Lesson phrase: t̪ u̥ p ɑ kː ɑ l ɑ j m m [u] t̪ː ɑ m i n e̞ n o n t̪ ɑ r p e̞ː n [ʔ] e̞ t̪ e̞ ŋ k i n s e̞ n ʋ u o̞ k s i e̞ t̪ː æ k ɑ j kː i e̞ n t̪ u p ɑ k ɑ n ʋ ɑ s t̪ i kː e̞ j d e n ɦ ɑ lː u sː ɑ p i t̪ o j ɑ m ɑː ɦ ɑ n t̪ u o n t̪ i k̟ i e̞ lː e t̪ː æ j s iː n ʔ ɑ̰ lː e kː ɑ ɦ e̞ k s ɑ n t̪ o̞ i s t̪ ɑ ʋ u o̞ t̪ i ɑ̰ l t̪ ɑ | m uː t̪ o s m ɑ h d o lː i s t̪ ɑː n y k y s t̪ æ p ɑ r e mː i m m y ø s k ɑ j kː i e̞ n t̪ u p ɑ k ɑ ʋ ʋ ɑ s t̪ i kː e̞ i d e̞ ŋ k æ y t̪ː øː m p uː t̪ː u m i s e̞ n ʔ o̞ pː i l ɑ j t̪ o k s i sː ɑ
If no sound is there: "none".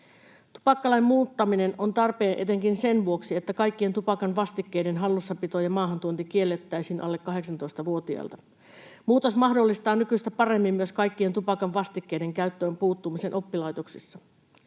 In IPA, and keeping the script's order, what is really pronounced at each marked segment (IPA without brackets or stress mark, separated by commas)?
uː, ʔ